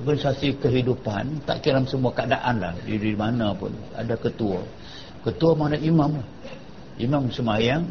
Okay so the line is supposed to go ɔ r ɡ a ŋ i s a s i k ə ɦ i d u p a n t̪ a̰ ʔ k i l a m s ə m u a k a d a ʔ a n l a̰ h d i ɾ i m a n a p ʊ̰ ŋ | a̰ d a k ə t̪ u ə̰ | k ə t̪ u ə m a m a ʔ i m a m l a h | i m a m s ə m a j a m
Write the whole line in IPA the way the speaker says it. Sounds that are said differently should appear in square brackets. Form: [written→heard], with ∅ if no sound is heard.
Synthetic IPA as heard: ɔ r ɡ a [ŋ→n] i s a s i k ə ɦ i d u p a n t̪ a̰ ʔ k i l a m s ə m u a k a d a ʔ a n l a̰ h d i ɾ i m a n a p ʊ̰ [ŋ→n] | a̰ d a k ə t̪ u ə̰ | k ə t̪ u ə m a [m→n] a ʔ i m a m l a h | i m a m s ə m a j a [m→ŋ]